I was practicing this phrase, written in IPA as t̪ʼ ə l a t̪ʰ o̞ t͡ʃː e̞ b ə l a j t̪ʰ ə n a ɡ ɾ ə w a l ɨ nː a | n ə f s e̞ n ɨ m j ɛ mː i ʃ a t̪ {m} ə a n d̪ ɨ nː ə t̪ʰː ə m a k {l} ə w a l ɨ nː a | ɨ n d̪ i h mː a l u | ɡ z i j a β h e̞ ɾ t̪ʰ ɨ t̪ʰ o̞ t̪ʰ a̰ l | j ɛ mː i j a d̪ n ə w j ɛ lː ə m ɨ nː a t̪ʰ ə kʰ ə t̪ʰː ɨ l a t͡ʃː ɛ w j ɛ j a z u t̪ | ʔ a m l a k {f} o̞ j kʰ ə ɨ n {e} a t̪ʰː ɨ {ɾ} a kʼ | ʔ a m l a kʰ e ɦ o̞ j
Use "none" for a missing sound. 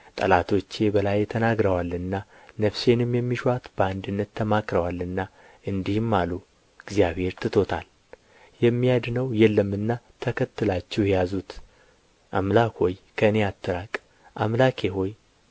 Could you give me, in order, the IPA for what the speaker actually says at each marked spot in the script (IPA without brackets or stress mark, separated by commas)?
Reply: b, ɾ, h, e, ɾ